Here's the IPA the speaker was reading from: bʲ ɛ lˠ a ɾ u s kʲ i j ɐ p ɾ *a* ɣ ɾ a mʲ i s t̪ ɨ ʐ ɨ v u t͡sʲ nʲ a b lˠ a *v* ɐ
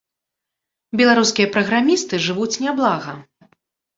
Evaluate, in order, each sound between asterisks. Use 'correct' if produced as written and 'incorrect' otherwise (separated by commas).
incorrect, incorrect